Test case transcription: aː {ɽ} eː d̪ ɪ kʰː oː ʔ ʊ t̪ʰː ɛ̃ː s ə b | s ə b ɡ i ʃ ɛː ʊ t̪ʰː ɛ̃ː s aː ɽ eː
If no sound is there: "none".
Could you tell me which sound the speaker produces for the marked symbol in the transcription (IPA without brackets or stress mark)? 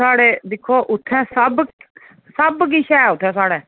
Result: ɽ